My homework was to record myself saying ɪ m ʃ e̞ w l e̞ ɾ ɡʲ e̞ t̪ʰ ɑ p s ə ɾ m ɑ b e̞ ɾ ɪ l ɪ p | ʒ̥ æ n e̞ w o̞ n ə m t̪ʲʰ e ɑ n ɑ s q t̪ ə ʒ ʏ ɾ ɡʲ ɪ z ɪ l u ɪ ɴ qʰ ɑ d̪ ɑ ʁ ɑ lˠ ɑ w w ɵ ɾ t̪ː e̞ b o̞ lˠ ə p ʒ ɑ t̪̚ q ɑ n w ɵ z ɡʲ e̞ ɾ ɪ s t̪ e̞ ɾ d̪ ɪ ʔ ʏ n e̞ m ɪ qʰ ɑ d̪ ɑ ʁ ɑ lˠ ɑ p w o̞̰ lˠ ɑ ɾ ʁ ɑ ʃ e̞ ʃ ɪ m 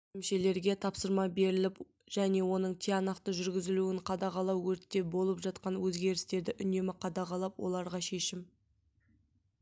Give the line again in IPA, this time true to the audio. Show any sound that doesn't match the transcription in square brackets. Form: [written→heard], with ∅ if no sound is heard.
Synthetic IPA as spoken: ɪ m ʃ e̞ [w→∅] l e̞ ɾ ɡʲ e̞ t̪ʰ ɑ p s ə ɾ m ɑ b e̞ ɾ ɪ l ɪ p | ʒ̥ æ n e̞ w o̞ n ə [m→ɴ] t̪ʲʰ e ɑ n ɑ [s→∅] q t̪ ə ʒ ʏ ɾ ɡʲ ɪ z ɪ l u ɪ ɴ qʰ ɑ d̪ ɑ ʁ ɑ lˠ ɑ w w ɵ ɾ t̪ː e̞ b o̞ lˠ ə p ʒ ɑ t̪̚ q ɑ n w ɵ z ɡʲ e̞ ɾ ɪ s t̪ e̞ ɾ d̪ ɪ ʔ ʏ n e̞ m ɪ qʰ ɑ d̪ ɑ ʁ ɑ lˠ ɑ p w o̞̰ lˠ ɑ ɾ ʁ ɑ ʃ e̞ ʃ ɪ m